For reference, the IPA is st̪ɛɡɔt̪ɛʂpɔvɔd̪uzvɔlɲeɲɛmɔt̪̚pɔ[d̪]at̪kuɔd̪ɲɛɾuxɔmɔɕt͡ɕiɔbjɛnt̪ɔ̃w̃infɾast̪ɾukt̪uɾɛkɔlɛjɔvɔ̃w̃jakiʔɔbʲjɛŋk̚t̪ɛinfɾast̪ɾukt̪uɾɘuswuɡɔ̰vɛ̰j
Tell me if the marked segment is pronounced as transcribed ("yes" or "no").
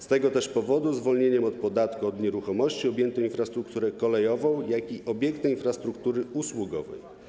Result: yes